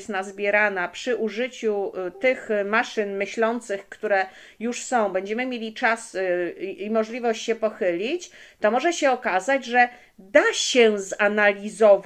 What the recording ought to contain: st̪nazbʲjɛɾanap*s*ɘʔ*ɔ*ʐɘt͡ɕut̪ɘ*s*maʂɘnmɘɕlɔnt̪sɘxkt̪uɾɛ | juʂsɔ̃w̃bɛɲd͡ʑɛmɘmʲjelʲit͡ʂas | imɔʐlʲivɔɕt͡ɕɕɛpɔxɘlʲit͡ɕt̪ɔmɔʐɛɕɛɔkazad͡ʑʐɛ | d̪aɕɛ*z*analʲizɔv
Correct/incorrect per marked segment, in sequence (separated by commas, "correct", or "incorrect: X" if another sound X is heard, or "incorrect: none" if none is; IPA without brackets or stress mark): incorrect: ʂ, incorrect: u, incorrect: x, correct